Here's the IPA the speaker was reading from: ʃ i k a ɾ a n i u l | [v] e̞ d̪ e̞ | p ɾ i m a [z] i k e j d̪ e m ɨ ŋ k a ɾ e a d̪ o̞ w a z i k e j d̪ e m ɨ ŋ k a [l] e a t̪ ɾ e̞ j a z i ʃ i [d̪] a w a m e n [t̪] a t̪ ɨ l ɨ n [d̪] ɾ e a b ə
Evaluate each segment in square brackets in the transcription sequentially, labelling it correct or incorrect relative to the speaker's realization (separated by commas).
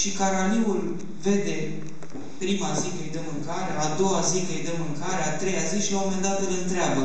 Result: correct, correct, incorrect, incorrect, incorrect, incorrect